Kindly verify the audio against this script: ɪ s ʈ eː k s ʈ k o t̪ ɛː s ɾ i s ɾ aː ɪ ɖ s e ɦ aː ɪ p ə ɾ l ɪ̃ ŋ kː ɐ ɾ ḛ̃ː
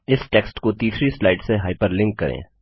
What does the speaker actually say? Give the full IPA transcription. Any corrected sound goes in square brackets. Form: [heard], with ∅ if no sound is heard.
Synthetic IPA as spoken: ɪ s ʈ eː k s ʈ k o t̪ [iː] s ɾ i s [l] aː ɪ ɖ s e ɦ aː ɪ p ə ɾ l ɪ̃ ŋ kː ɐ ɾ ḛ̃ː